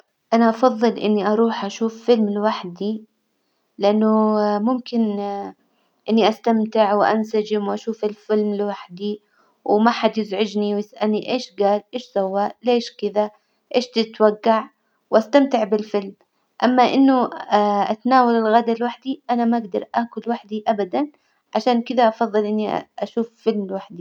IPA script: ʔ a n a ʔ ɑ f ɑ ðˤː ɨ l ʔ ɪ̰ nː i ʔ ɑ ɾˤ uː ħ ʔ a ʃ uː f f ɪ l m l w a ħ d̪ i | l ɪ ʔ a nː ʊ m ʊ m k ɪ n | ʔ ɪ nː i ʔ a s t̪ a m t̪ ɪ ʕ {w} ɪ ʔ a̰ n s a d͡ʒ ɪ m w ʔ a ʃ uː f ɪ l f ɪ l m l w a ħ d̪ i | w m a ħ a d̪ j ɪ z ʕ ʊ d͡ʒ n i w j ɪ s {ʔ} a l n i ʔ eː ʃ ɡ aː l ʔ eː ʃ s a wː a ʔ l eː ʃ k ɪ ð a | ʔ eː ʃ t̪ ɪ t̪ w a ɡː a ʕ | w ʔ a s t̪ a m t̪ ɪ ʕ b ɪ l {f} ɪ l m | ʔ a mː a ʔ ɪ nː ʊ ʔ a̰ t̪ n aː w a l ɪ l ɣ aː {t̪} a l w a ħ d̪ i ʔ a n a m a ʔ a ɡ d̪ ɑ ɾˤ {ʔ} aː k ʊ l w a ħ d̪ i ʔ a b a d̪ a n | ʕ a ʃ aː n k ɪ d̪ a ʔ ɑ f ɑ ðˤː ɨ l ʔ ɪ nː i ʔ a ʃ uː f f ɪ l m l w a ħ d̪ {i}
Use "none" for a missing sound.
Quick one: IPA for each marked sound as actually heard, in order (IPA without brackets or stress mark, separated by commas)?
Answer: w, ʔ, f, d̪, ʔ, i